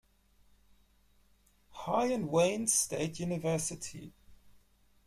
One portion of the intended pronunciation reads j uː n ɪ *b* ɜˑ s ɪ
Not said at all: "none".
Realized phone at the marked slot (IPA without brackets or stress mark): v